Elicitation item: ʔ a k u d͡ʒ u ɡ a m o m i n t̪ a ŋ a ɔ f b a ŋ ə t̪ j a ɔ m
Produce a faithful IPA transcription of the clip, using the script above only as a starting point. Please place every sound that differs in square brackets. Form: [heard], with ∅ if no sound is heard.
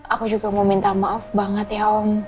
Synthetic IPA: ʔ a k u d͡ʒ u ɡ a m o m i n t̪ a [m] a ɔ f b a ŋ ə t̪ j a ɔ m